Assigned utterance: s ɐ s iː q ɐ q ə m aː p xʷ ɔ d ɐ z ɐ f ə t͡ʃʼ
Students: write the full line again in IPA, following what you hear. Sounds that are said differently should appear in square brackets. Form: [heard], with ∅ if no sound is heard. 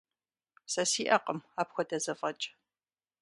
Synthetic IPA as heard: s ɐ s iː [ʔ] ɐ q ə m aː p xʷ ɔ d ɐ z ɐ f [ɐ] t͡ʃʼ